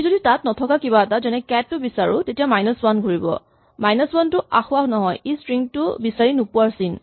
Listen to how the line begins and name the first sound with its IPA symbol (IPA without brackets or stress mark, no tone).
z